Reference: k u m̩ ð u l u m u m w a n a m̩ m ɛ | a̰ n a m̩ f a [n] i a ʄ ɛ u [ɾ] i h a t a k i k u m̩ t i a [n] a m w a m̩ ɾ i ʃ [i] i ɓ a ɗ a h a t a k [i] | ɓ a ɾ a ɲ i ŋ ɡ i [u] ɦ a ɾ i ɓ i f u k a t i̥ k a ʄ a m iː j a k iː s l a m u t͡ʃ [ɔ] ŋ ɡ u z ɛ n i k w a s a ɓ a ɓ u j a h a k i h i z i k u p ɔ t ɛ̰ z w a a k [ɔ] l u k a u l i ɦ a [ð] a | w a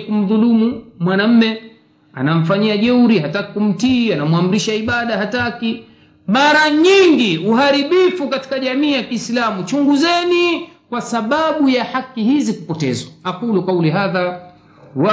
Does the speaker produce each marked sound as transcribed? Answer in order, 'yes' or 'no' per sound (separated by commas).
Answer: no, yes, yes, no, yes, yes, no, no, yes